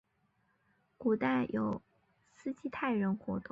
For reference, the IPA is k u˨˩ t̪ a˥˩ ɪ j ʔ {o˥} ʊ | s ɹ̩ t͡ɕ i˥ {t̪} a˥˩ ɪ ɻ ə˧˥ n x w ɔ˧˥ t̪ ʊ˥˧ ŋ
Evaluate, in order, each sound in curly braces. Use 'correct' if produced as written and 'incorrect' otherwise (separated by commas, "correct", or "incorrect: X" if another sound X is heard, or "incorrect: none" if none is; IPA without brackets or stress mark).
incorrect: o˨˩, incorrect: t̪ʰ